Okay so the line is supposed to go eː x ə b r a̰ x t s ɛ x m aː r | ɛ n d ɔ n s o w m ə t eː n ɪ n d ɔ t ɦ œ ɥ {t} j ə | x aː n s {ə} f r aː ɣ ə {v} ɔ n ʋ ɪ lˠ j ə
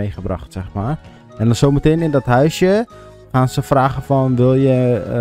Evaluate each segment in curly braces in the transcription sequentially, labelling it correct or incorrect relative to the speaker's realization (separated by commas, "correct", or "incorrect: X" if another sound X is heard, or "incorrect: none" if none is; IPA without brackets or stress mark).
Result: incorrect: s, correct, incorrect: f